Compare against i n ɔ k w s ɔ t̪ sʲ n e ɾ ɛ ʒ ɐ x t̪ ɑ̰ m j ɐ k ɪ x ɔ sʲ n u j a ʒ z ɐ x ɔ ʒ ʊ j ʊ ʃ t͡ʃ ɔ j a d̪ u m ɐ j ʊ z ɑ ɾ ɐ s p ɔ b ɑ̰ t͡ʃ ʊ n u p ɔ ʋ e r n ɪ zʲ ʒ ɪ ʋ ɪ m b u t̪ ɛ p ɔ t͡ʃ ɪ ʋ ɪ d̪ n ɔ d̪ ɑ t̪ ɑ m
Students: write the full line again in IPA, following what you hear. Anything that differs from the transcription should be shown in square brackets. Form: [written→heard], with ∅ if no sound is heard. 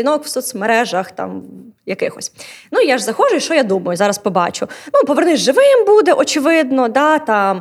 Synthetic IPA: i n ɔ k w s ɔ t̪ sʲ [n→m] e ɾ ɛ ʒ ɐ x t̪ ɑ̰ m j ɐ k ɪ x ɔ sʲ n u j a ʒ z ɐ x ɔ ʒ ʊ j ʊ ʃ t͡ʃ ɔ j a d̪ u m ɐ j ʊ z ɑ ɾ ɐ s p ɔ b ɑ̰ t͡ʃ ʊ n u p ɔ ʋ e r n ɪ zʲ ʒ ɪ ʋ ɪ m b u [t̪→d̪] ɛ [p→ʔ] ɔ t͡ʃ ɪ ʋ ɪ d̪ n ɔ d̪ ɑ t̪ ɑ m